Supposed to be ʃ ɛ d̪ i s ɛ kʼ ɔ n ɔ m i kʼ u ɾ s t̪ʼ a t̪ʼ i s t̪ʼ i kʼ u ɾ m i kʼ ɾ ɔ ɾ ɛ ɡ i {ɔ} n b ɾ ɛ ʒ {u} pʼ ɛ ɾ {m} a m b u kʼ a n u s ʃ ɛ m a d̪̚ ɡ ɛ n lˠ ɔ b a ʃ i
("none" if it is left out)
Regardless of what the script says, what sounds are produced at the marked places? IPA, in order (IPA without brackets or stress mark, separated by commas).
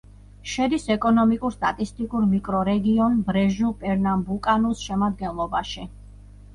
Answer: ɔ, u, n